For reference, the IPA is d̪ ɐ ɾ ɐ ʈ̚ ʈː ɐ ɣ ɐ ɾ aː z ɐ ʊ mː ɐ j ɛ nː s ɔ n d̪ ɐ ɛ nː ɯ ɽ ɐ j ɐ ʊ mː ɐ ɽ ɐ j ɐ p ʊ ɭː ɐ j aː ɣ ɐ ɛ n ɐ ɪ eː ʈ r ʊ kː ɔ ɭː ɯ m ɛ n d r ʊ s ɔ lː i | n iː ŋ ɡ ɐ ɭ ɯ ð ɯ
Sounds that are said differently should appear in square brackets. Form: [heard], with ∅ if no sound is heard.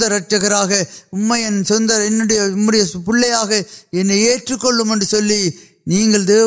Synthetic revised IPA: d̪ ɐ ɾ ɐ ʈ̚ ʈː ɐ ɣ ɐ ɾ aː [ɣ] ɐ ʊ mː ɐ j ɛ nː s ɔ n d̪ ɐ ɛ nː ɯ ɽ ɐ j ɐ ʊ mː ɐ ɽ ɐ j ɐ p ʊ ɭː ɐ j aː ɣ ɐ ɛ [nː] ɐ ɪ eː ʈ r [ɯ] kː ɔ ɭː ɯ m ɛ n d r [ɯ] s ɔ lː i | n iː ŋ ɡ ɐ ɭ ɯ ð ɯ